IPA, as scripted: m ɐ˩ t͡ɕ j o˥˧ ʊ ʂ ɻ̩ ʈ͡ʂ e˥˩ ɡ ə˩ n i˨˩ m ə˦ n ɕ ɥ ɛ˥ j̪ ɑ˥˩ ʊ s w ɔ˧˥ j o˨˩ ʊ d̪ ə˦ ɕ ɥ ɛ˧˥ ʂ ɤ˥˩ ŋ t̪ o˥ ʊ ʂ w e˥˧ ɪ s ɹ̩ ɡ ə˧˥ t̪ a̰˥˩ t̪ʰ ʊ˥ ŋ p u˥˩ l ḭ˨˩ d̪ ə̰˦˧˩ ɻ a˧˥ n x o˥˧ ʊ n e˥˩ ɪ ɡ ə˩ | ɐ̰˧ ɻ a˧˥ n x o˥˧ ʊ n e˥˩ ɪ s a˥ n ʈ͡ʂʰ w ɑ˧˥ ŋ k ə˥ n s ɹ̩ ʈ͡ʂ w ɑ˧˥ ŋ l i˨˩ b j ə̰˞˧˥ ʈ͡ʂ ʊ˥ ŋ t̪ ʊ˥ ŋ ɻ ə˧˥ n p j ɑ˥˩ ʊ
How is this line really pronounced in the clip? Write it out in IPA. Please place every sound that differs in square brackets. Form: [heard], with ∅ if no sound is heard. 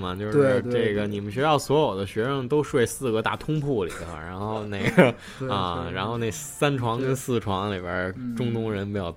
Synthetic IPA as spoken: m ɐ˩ t͡ɕ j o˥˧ ʊ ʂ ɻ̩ ʈ͡ʂ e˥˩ ɡ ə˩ n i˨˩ m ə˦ n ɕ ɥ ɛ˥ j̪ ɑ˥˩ ʊ s w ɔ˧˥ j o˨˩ ʊ d̪ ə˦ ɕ ɥ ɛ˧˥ ʂ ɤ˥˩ ŋ t̪ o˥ ʊ ʂ w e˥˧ ɪ s ɹ̩ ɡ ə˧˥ t̪ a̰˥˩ t̪ʰ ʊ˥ ŋ [pʰ] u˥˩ l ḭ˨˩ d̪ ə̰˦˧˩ ɻ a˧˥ n x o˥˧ ʊ n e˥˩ ɪ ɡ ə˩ | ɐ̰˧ ɻ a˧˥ n x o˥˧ ʊ n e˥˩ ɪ s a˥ n ʈ͡ʂʰ w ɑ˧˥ ŋ k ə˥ n s ɹ̩ [ʈ͡ʂʰ] w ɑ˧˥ ŋ l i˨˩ b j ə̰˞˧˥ ʈ͡ʂ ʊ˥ ŋ t̪ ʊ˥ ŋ ɻ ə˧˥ n p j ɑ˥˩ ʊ